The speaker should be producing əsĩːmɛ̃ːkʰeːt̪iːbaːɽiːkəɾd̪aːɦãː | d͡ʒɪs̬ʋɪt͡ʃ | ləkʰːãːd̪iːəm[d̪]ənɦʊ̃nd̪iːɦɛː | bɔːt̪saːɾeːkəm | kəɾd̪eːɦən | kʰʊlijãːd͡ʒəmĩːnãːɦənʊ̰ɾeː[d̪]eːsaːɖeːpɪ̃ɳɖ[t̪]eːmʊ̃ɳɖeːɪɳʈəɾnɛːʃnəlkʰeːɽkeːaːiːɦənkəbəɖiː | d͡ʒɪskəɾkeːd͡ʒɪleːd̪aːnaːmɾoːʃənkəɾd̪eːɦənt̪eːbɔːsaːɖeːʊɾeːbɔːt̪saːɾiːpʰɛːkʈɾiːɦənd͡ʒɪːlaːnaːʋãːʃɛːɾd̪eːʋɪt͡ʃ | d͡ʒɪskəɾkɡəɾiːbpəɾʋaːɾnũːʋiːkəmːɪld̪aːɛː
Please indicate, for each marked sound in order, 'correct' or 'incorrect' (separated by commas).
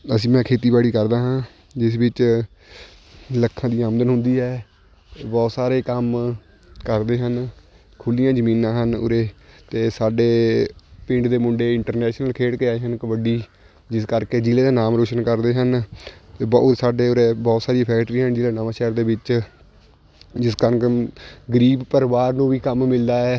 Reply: correct, incorrect, incorrect